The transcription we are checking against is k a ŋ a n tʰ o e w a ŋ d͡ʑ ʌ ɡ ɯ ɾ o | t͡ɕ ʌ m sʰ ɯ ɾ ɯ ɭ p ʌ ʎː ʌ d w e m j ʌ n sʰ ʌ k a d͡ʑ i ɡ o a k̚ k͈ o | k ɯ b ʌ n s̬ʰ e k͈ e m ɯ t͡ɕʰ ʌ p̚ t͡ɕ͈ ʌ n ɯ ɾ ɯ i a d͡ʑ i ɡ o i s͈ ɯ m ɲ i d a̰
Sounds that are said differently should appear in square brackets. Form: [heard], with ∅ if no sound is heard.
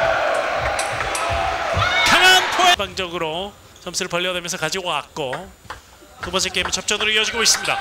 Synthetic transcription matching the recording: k a ŋ a n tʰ o e [b] a ŋ d͡ʑ ʌ ɡ ɯ ɾ o | t͡ɕ ʌ m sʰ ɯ ɾ ɯ ɭ p ʌ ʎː ʌ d w e m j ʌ n sʰ ʌ k a d͡ʑ i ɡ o a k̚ k͈ o | k ɯ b ʌ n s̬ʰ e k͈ e m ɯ t͡ɕʰ ʌ p̚ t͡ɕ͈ ʌ n ɯ ɾ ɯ i [ʌ] d͡ʑ i ɡ o i s͈ ɯ m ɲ i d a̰